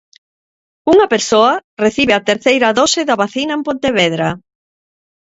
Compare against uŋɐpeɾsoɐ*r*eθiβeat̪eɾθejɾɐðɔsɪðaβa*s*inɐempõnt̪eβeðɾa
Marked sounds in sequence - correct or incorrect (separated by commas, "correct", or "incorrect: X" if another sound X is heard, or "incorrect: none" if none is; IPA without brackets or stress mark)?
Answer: correct, incorrect: θ